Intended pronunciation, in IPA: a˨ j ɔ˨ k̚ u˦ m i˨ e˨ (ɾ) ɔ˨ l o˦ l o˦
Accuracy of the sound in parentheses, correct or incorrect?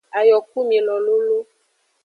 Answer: incorrect